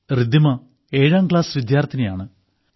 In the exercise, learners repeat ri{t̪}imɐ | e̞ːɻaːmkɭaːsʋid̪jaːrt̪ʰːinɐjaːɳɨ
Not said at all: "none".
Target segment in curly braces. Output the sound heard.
d̪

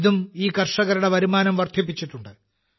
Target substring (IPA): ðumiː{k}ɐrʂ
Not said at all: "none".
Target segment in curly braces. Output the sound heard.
k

